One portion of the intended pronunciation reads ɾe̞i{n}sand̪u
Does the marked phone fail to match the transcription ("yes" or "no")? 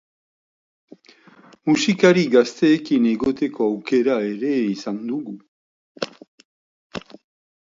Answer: yes